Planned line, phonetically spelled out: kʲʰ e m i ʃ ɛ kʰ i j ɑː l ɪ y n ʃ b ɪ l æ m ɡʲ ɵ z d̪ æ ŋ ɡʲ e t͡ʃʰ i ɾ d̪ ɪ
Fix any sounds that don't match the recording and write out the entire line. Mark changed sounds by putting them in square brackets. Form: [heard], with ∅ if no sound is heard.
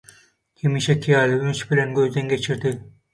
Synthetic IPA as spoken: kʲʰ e m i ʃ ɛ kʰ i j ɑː l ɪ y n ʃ b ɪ l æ [n] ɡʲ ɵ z d̪ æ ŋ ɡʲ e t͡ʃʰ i ɾ d̪ ɪ